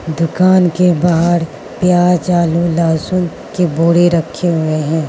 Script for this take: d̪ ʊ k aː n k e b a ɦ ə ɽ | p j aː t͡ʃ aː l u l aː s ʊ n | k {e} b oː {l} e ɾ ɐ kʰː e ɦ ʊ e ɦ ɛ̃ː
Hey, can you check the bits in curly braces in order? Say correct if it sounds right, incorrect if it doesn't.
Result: correct, incorrect: ɽ

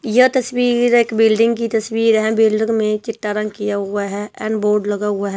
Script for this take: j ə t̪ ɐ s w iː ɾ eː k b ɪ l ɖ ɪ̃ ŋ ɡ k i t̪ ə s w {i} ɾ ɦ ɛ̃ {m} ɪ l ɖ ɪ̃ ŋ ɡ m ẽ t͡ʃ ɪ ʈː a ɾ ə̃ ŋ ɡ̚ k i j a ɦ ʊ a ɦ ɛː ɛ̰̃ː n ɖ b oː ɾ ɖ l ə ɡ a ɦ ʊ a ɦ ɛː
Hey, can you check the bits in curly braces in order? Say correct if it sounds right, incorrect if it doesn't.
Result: incorrect: iː, incorrect: b

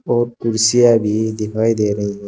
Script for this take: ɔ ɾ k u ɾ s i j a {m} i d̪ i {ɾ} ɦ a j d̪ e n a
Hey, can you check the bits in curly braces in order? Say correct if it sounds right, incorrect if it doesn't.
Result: incorrect: b, incorrect: none

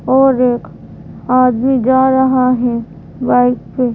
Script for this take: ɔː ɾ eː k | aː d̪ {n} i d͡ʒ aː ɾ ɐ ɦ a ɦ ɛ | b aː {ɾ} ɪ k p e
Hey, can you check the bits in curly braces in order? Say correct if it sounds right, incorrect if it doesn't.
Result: incorrect: m, incorrect: none

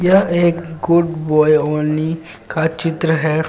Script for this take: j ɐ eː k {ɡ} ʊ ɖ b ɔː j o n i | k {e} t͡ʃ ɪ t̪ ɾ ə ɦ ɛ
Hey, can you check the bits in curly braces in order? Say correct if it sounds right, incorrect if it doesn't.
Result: correct, incorrect: a

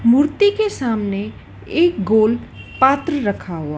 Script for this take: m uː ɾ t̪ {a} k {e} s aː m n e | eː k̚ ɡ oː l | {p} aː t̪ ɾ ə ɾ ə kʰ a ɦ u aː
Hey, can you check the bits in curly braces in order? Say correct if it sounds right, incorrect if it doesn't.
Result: incorrect: i, correct, correct

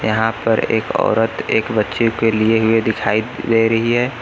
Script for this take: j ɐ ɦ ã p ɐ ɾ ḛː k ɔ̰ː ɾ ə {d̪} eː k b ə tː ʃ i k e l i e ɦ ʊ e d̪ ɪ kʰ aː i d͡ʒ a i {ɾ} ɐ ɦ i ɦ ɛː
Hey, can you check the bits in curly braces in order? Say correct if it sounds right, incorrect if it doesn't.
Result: incorrect: t̪, correct

